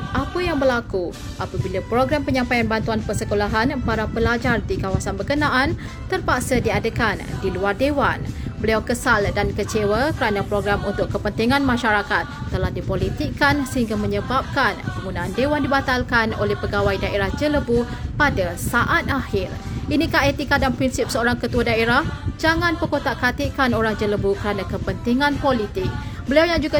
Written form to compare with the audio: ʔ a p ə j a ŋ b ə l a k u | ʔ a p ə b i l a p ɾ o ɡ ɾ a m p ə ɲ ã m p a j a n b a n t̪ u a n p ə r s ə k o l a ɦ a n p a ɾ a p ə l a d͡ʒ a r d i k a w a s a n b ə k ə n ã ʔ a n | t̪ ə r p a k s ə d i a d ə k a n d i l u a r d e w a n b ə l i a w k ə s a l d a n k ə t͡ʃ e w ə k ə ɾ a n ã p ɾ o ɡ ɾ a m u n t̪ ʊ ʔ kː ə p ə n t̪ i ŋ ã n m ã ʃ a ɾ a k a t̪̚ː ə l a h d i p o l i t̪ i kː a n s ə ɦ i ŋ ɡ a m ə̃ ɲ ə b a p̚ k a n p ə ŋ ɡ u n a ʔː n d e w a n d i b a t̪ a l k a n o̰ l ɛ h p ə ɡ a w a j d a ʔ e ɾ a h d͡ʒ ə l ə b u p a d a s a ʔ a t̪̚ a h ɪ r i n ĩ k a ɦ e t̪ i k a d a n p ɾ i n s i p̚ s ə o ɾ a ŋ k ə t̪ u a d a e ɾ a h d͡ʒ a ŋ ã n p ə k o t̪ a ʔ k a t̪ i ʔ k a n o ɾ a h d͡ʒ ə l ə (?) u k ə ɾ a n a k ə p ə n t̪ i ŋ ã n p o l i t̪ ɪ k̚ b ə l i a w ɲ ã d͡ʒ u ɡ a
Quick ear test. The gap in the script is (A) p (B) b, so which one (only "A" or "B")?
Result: B